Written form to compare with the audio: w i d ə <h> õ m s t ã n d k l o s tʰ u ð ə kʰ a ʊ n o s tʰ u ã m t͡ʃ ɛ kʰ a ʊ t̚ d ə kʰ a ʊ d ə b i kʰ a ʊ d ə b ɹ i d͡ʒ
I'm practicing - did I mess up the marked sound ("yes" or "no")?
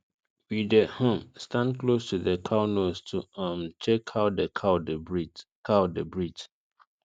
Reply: no